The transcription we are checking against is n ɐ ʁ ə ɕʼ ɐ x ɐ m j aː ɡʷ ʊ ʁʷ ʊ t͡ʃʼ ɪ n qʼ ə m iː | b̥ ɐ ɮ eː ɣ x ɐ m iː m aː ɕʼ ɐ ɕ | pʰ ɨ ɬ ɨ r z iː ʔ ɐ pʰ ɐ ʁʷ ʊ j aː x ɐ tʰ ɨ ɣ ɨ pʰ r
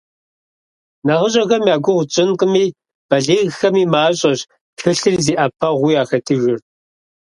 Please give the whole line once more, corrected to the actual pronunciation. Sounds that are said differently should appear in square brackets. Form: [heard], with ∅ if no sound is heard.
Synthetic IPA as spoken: n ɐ ʁ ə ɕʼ ɐ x ɐ m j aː ɡʷ ʊ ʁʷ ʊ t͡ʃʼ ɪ n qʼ ə m iː | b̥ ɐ ɮ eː ɣ x ɐ m iː m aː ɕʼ ɐ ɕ | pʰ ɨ ɬ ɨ r z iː ʔ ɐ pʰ ɐ ʁʷ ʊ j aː x ɐ tʰ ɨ ɣ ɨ [∅] r